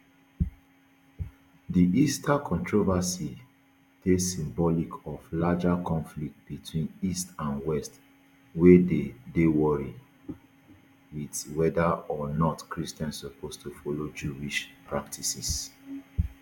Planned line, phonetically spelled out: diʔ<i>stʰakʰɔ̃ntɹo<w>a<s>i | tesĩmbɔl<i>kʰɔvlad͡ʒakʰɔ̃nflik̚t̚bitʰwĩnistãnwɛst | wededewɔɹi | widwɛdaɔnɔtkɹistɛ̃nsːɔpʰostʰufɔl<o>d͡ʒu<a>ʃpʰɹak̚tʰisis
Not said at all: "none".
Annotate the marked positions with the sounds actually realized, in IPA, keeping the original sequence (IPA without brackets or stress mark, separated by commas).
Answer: i, v, s, i, o, i